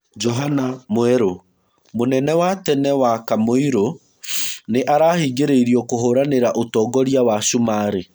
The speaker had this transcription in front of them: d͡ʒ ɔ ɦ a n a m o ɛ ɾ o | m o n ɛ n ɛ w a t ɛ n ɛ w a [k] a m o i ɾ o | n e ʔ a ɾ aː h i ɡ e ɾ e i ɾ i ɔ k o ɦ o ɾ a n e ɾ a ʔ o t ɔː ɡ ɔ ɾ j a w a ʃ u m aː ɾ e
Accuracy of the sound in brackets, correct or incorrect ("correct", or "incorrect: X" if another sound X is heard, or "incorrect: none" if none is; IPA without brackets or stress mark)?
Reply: correct